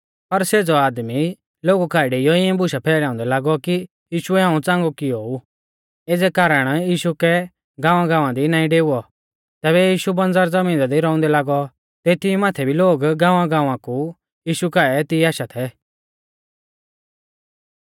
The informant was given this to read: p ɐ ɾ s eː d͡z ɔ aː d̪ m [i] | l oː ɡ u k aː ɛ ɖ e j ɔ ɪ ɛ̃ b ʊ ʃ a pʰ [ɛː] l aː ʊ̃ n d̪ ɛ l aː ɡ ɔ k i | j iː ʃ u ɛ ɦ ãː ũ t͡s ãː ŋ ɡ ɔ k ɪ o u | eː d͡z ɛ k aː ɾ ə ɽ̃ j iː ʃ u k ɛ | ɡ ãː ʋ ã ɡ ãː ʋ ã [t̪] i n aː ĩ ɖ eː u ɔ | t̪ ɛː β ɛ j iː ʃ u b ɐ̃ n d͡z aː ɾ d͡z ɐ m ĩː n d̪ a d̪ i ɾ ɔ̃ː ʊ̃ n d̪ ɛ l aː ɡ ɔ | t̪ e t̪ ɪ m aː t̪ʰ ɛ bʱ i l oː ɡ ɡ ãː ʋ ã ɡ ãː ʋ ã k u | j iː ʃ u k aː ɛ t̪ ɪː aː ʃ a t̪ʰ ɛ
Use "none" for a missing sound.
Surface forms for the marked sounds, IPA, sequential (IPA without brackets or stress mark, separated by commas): i, ɛː, d̪